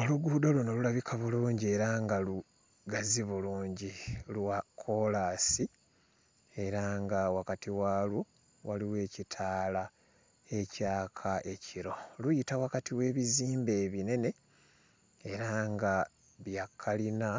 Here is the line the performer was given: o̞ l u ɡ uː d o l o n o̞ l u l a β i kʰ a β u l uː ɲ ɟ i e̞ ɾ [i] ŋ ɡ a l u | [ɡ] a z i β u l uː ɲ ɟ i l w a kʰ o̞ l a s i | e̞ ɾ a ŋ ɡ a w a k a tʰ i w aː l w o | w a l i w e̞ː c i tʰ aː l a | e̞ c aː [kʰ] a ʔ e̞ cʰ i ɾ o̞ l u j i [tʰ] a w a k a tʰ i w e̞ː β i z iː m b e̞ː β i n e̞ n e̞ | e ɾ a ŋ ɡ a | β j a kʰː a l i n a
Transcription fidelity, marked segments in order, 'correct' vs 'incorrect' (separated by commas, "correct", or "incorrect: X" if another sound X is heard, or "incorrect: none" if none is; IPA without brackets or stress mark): incorrect: a, correct, correct, incorrect: t